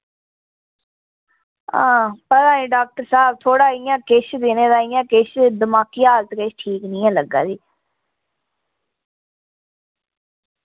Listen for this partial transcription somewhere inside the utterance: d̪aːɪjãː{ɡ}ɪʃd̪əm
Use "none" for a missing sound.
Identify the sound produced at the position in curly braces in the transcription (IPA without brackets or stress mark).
k